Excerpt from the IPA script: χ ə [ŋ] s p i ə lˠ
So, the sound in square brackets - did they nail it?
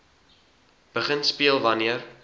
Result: no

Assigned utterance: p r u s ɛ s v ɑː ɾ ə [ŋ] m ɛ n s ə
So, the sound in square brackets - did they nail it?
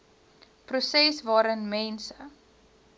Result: no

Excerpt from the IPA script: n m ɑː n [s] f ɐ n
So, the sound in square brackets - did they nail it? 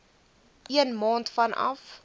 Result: no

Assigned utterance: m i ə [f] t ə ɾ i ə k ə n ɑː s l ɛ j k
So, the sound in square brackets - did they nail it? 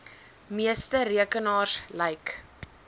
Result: no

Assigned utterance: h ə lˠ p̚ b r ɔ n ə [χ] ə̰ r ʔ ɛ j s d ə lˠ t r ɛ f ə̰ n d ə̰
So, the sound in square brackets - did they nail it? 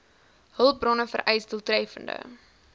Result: no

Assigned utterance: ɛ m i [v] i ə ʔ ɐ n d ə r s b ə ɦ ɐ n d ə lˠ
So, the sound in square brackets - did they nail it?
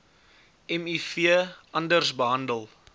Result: no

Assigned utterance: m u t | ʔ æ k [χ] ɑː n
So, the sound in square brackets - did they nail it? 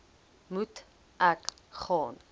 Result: yes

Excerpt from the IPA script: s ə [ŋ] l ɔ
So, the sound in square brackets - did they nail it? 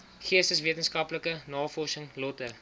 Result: yes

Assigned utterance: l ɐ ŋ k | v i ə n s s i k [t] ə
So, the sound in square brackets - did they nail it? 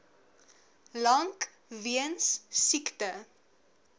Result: yes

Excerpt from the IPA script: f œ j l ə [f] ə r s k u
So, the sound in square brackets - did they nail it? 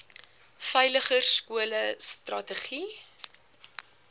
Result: no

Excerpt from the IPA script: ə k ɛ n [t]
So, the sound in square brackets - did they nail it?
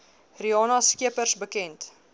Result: yes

